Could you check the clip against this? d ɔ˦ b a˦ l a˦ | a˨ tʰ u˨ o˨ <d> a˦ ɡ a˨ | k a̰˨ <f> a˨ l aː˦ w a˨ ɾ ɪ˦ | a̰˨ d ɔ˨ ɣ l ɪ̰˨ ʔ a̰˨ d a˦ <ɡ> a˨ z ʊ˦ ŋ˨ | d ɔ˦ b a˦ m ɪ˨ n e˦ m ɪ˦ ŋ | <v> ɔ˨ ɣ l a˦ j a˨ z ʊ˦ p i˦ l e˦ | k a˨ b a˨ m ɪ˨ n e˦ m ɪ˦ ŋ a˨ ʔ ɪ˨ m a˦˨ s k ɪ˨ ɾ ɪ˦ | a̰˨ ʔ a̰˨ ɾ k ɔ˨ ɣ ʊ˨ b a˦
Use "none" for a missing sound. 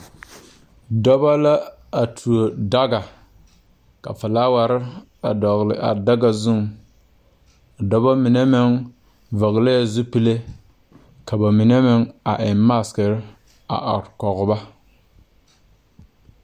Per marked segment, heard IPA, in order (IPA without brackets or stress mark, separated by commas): d, f, ɡ, v